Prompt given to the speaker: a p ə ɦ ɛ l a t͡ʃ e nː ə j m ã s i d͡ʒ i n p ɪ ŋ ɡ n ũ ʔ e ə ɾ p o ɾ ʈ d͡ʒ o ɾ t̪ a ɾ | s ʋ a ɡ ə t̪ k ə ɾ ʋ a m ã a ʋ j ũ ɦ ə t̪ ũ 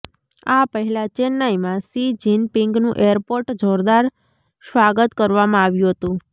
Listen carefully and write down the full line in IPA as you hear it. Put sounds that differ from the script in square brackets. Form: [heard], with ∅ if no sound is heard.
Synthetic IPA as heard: a p ə ɦ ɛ l a t͡ʃ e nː [a] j m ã s i d͡ʒ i n p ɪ ŋ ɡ n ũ ʔ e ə ɾ p o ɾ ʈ d͡ʒ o ɾ [d̪] a ɾ | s ʋ a ɡ ə t̪ k ə ɾ ʋ a m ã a ʋ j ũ ɦ ə t̪ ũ